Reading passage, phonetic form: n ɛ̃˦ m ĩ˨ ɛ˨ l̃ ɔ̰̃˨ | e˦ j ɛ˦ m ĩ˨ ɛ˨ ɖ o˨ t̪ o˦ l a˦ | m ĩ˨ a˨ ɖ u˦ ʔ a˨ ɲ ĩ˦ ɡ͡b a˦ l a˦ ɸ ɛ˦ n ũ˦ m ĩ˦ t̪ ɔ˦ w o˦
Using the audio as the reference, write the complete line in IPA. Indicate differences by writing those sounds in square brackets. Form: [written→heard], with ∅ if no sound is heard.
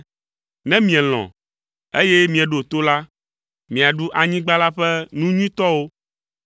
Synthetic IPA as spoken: n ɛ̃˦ m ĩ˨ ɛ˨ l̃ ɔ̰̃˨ | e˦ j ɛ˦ m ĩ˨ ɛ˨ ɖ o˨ t̪ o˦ l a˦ | m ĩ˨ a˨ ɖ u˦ ʔ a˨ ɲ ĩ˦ ɡ͡b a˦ l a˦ ɸ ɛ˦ n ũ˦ [m→ɲ] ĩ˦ t̪ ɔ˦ w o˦